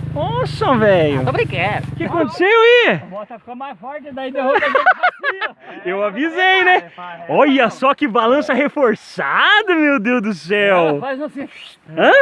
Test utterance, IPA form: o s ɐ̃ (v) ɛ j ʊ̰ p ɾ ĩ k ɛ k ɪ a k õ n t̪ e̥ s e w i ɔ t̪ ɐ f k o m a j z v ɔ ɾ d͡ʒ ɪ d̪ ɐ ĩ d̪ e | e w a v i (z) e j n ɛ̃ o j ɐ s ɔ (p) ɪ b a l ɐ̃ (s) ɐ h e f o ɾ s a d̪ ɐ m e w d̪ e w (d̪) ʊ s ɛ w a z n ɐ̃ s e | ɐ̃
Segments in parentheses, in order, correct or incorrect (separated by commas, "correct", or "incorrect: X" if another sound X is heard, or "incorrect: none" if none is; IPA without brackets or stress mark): correct, correct, incorrect: k, correct, correct